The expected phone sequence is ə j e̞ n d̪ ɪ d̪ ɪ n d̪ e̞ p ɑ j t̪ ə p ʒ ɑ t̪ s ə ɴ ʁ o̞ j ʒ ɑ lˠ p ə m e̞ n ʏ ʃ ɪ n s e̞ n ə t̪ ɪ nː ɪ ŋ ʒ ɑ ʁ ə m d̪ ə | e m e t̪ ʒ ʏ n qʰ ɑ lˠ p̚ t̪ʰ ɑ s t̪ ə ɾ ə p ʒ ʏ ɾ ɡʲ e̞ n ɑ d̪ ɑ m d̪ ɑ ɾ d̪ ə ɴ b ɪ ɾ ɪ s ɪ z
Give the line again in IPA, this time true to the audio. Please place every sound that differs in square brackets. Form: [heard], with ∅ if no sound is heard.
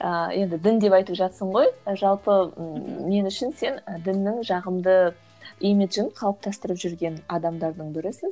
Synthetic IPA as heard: ə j e̞ n d̪ ɪ d̪ ɪ n d̪ e̞ p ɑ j t̪ ə p ʒ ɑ t̪ s ə ɴ ʁ o̞ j ʒ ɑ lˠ p ə m e̞ n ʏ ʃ ɪ n s e̞ n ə [d̪] ɪ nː ɪ ŋ ʒ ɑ ʁ ə m d̪ ə | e m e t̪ ʒ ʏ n qʰ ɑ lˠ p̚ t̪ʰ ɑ s t̪ ə ɾ ə p ʒ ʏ ɾ ɡʲ e̞ n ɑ d̪ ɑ m d̪ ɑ ɾ d̪ ə ɴ b ɪ ɾ ɪ s ɪ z